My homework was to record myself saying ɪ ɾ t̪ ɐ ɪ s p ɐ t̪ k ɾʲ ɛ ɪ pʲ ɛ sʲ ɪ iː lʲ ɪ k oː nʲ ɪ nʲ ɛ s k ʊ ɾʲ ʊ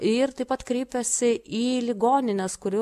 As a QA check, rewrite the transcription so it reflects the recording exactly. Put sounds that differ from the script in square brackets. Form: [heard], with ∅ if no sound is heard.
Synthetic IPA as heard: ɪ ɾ t̪ ɐ ɪ [∅] p ɐ t̪ k ɾʲ ɛ ɪ pʲ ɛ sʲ ɪ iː lʲ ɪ [ɡ] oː nʲ ɪ nʲ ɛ s k ʊ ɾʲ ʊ